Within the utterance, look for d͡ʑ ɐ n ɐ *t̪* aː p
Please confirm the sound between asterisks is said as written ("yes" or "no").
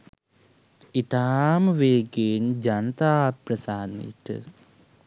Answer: yes